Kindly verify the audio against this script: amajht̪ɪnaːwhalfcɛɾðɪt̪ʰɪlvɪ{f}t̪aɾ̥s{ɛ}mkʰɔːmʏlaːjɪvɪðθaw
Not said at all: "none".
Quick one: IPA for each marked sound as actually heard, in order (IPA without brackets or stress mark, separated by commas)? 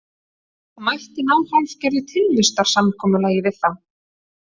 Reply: s, a